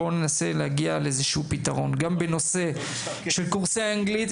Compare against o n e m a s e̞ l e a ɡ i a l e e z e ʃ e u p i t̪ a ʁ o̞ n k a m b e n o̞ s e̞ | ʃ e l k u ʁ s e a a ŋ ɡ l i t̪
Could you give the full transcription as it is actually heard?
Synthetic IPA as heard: o n e n a s e̞ l e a ɡ i a l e e z e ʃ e u p i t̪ a ʁ o̞ n ɡ a m b e n o̞ s e̞ | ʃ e l k u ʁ s e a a ŋ ɡ l i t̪